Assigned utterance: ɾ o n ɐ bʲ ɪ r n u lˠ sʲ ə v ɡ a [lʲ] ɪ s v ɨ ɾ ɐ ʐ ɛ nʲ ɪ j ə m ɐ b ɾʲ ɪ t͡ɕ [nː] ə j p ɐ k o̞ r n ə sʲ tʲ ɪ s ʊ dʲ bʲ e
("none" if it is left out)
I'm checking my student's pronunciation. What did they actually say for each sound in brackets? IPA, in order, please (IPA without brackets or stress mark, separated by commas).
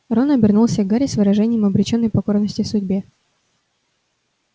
ɾʲ, nː